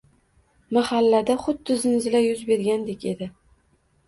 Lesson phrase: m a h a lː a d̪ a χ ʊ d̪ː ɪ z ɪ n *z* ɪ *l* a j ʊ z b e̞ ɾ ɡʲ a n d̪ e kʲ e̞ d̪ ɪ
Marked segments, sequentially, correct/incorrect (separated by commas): correct, correct